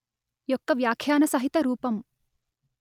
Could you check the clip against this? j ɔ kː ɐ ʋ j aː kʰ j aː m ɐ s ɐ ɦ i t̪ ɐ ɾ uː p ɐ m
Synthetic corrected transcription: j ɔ kː ɐ ʋ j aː kʰ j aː n ɐ s ɐ ɦ i t̪ ɐ ɾ uː p ɐ m